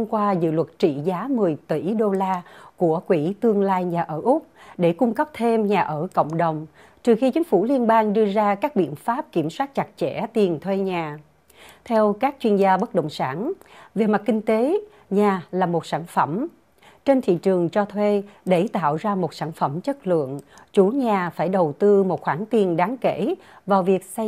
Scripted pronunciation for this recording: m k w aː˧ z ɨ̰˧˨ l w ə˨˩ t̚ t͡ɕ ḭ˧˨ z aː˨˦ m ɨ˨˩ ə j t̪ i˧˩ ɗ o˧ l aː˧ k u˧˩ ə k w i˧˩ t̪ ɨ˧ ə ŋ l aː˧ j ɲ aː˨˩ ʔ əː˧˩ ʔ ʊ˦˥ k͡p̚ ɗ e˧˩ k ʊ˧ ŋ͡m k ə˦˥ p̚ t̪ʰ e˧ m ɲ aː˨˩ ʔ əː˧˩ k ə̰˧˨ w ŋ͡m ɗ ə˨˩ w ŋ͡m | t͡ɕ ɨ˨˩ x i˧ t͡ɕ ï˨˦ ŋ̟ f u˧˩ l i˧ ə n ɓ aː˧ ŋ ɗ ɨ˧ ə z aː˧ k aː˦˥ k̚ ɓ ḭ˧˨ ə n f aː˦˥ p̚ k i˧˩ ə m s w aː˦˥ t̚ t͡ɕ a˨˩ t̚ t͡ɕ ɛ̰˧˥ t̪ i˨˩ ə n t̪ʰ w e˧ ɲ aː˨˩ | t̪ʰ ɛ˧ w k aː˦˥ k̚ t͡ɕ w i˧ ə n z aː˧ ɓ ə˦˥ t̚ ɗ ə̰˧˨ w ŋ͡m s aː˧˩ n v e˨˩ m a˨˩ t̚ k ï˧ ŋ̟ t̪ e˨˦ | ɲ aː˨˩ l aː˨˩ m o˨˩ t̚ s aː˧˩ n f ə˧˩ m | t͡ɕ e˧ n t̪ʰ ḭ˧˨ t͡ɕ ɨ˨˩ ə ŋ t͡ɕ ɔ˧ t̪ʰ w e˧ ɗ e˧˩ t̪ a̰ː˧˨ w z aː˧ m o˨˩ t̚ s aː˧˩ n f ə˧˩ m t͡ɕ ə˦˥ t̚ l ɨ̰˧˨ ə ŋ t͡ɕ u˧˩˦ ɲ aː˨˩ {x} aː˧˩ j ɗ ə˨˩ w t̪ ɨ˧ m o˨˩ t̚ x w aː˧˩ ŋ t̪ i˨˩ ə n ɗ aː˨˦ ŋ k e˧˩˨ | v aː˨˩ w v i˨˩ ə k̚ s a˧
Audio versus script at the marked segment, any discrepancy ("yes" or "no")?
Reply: yes